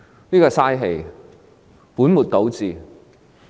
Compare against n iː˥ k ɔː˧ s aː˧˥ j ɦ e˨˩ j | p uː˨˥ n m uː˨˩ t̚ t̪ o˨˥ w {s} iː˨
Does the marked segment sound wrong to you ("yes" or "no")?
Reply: yes